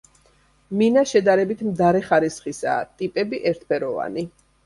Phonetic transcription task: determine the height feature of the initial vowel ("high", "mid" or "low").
high